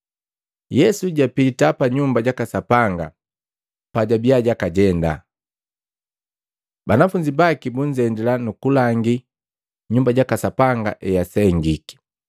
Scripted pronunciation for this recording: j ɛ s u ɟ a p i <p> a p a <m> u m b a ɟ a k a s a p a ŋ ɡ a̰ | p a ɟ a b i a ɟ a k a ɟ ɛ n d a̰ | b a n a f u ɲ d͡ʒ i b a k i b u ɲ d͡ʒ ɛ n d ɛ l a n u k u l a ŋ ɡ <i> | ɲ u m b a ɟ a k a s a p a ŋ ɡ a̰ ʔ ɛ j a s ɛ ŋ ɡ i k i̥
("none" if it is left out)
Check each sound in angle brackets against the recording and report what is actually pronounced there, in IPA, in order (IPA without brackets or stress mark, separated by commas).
t, ɲ, i